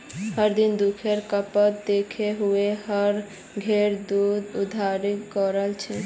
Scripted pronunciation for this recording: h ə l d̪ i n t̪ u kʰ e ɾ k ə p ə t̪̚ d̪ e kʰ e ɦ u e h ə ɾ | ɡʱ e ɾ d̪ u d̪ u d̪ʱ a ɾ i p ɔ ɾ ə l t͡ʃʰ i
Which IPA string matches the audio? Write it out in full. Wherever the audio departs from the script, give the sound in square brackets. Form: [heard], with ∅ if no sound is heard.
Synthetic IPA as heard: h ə [ɾ] d̪ i n [d̪] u kʰ e ɾ k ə p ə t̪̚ d̪ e kʰ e ɦ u e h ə ɾ | ɡʱ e ɾ d̪ u d̪ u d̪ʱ a ɾ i [k] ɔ ɾ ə l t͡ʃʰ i